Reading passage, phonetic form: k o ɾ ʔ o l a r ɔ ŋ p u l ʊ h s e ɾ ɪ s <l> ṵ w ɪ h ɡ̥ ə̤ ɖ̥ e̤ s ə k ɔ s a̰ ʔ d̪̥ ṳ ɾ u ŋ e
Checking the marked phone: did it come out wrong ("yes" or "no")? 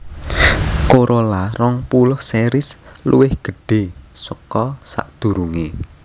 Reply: no